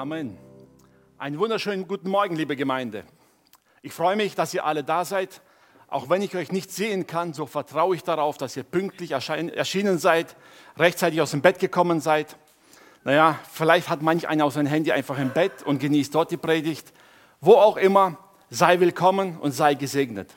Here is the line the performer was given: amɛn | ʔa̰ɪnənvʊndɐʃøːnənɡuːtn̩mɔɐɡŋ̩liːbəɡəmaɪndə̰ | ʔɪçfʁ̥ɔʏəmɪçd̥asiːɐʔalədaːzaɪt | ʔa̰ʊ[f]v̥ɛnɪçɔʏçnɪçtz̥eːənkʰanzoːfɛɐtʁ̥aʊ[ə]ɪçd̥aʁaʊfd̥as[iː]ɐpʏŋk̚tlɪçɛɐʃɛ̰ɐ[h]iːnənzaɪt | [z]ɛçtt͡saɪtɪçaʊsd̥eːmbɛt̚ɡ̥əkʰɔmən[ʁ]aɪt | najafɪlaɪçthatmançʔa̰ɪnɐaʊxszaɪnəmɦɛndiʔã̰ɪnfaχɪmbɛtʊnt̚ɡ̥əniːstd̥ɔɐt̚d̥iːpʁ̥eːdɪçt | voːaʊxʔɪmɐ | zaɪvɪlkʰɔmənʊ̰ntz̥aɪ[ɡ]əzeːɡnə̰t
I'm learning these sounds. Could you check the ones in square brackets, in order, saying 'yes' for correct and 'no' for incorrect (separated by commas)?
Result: no, yes, yes, no, no, no, yes